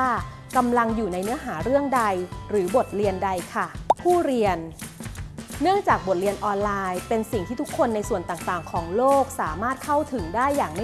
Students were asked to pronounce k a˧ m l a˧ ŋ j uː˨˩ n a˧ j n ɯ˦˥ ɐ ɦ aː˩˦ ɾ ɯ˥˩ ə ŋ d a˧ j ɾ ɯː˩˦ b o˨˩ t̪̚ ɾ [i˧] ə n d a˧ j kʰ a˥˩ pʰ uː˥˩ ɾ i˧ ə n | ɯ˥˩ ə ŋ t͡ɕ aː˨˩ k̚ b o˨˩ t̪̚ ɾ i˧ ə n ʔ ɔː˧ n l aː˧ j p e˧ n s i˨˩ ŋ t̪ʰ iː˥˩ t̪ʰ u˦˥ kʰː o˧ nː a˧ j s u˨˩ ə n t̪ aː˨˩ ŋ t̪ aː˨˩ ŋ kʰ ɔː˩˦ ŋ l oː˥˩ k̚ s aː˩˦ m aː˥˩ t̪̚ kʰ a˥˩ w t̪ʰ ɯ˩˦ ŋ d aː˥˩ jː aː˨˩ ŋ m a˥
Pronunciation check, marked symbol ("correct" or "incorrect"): correct